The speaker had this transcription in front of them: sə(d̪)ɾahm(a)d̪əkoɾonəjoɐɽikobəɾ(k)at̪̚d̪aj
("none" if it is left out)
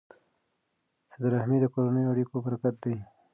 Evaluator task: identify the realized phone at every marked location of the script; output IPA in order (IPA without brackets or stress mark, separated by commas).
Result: d̪, i, k